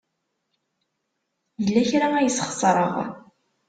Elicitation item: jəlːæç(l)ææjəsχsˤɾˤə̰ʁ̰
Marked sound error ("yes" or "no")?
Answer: yes